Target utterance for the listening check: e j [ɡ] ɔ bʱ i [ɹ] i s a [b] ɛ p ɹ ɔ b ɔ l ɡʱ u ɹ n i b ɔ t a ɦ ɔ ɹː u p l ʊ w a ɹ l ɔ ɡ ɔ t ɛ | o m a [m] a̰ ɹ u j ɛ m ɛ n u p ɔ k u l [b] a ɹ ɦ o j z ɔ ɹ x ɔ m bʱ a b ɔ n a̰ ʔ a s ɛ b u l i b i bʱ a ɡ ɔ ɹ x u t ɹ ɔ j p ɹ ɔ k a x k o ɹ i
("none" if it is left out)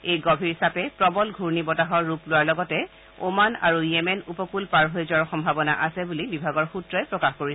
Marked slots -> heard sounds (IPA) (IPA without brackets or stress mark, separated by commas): ɡ, ɹ, p, n, p